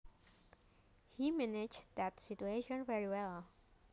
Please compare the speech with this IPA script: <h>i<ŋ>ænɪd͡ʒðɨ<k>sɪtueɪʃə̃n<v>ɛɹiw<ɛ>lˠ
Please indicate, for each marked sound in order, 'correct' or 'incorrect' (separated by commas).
correct, incorrect, incorrect, correct, correct